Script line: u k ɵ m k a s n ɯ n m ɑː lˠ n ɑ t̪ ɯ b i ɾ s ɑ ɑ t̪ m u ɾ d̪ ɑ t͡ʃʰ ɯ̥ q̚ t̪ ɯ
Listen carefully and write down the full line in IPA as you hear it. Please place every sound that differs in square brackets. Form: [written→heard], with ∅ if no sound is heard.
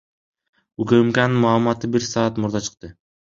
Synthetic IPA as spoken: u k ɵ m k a [s→∅] n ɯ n m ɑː lˠ [n→m] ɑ t̪ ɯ b i ɾ s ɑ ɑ t̪ m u ɾ d̪ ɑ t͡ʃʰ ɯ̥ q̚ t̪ ɯ